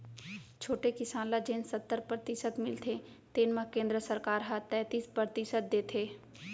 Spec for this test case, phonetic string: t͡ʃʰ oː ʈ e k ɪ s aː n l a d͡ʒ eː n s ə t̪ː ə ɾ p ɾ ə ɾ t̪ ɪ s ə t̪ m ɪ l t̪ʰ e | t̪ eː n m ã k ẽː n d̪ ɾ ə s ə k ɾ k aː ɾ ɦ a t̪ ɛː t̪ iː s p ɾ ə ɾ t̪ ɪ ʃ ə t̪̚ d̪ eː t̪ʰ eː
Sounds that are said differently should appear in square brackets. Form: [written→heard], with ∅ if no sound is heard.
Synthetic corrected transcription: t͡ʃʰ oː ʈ e k ɪ s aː n l a d͡ʒ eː n s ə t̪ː ə ɾ p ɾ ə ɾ t̪ ɪ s ə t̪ m ɪ l t̪ʰ e | t̪ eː n m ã k ẽː n d̪ ɾ ə s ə [k→∅] ɾ k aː ɾ ɦ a t̪ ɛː t̪ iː s p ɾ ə ɾ t̪ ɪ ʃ ə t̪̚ d̪ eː t̪ʰ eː

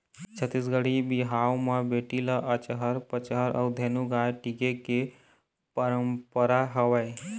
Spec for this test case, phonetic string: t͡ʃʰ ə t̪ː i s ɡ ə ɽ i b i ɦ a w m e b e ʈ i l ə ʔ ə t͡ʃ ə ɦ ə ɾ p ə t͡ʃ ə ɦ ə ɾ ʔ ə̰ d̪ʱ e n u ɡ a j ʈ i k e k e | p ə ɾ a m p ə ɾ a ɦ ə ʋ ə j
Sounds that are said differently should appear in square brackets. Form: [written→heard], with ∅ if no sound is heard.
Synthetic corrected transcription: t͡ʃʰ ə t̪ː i s ɡ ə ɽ i b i ɦ a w m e b e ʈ i l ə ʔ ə t͡ʃ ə ɦ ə ɾ p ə t͡ʃ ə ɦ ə ɾ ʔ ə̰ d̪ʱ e n u ɡ a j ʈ i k e k e | p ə ɾ [a→ə] m p ə ɾ a ɦ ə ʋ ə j

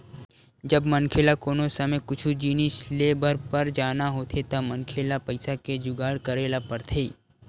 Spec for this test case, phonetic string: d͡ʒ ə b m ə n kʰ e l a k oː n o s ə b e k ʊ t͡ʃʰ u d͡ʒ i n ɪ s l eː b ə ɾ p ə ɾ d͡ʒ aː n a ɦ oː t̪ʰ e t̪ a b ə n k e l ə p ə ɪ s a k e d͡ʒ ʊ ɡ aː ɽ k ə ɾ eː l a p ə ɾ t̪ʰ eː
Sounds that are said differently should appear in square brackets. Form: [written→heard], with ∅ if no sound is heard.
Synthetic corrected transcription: d͡ʒ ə b m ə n kʰ e l a k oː n o s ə [b→m] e k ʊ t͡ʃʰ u d͡ʒ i n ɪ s l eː b ə ɾ p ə ɾ d͡ʒ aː n a ɦ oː t̪ʰ e t̪ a [b→m] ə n [k→kʰ] e l [ə→a] p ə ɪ s a k e d͡ʒ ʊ ɡ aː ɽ k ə ɾ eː l a p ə ɾ t̪ʰ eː

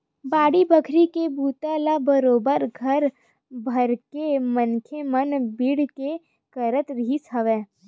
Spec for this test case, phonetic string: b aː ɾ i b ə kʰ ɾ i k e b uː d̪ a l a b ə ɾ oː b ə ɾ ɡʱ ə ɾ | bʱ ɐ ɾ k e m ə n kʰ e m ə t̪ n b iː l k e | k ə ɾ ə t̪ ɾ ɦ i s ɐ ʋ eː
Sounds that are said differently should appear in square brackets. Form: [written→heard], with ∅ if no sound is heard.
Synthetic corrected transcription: b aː [ɾ→ɽ] i b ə kʰ ɾ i k e b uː [d̪→t̪] a l a b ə ɾ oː b ə ɾ ɡʱ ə ɾ | bʱ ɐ ɾ k e m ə n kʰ e m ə [t̪→∅] n b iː [l→ɽ] k e | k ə ɾ ə t̪ ɾ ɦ i s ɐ ʋ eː

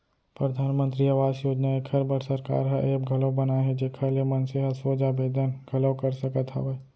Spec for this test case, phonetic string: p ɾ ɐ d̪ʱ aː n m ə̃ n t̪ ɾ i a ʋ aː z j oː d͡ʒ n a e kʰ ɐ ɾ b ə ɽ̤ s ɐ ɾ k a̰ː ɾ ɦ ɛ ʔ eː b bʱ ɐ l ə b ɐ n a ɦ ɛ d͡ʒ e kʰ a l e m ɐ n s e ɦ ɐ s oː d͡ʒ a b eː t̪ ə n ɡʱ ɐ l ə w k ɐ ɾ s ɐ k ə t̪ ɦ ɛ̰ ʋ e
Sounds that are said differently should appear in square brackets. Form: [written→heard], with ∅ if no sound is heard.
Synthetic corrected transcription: p ɾ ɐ d̪ʱ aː n m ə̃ n t̪ ɾ i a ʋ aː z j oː d͡ʒ n a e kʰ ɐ ɾ b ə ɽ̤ s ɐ ɾ k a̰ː ɾ ɦ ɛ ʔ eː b [bʱ→ɡʱ] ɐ l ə b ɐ n a ɦ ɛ d͡ʒ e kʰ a l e m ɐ n s e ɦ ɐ s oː d͡ʒ a b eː [t̪→d̪] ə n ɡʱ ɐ l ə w k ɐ ɾ s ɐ k ə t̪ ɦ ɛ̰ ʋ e

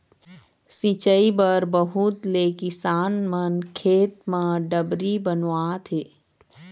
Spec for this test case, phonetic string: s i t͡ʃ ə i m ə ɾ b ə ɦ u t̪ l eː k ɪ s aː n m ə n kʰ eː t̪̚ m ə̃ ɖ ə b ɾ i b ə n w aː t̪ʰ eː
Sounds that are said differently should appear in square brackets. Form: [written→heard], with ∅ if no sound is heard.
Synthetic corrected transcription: s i t͡ʃ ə i [m→b] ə ɾ b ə ɦ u t̪ l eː k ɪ s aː n m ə n kʰ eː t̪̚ m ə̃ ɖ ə b ɾ i b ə n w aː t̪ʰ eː

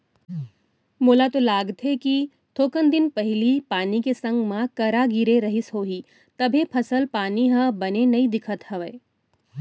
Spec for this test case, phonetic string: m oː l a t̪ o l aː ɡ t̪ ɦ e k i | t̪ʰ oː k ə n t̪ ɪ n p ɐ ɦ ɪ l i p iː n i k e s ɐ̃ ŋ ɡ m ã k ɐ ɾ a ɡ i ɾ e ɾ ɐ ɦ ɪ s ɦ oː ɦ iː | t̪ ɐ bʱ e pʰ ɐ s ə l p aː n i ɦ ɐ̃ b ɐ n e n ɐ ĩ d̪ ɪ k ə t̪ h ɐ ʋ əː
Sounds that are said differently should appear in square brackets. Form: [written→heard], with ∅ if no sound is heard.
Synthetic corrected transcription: m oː l a t̪ o l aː ɡ t̪ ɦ e k i | t̪ʰ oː k ə n [t̪→d̪] ɪ n p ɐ ɦ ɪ l i p [iː→aː] n i k e s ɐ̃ ŋ ɡ m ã k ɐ ɾ a ɡ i ɾ e ɾ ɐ ɦ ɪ s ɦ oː ɦ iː | t̪ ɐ bʱ e pʰ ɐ s ə l p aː n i ɦ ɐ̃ b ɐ n e n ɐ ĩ d̪ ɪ [k→kʰ] ə t̪ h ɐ ʋ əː

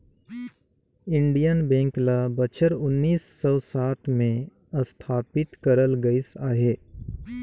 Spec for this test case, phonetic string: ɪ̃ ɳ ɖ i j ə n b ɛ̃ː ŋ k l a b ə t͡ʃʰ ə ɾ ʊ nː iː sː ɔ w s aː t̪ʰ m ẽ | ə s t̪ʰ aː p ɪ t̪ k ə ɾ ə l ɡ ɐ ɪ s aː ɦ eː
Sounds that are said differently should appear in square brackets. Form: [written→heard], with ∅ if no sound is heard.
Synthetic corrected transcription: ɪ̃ ɳ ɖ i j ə n b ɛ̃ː ŋ k l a b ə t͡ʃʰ ə ɾ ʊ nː iː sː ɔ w s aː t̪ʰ m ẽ | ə s t̪ʰ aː p ɪ t̪ k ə ɾ ə l ɡ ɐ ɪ s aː ɦ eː

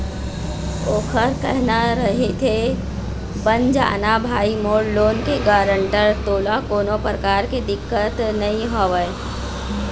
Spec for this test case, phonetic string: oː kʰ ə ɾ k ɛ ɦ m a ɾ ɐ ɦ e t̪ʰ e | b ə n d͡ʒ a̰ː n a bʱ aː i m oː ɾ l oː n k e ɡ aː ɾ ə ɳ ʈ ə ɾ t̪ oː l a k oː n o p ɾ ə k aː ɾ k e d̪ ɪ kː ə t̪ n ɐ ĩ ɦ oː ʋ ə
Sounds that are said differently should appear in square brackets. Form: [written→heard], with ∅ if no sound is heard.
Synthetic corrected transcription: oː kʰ ə ɾ k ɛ ɦ [m→n] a ɾ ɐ ɦ e t̪ʰ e | b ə n d͡ʒ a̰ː n a bʱ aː i m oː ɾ l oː n k e ɡ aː ɾ ə ɳ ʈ ə ɾ t̪ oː l a k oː n o p ɾ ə k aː ɾ k e d̪ ɪ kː ə t̪ n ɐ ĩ ɦ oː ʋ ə

